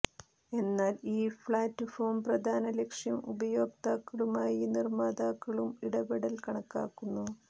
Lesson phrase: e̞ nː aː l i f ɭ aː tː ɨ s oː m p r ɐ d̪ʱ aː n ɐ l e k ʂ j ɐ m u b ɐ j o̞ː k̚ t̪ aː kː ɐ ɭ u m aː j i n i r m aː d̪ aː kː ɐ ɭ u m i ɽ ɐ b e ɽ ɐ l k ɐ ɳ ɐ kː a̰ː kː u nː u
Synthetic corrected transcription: e̞ nː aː l iː f ɭ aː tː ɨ f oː m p r ɐ d̪ʱ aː n ɐ l e k ʂ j ɐ m u b ɐ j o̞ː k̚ t̪ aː kː ɐ ɭ u m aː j i n i r m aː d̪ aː kː ɐ ɭ u m i ɽ ɐ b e ɽ ɐ l k ɐ ɳ ɐ kː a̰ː kː u nː u